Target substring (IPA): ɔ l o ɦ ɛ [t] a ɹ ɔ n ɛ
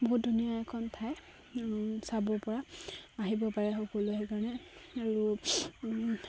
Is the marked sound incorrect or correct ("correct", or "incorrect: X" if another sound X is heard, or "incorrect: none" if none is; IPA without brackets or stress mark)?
incorrect: k